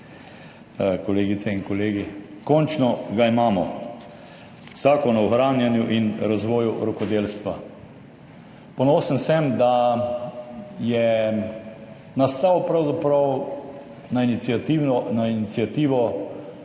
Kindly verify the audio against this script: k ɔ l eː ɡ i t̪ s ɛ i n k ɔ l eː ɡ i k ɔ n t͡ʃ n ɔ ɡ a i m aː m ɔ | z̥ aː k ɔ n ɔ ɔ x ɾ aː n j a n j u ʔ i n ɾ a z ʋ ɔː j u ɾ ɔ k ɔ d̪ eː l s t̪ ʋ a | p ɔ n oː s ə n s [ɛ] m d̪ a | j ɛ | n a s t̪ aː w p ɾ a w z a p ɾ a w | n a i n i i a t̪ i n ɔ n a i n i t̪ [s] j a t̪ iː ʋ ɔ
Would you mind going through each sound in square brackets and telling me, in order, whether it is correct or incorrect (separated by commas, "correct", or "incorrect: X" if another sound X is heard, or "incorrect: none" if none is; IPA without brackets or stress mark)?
correct, correct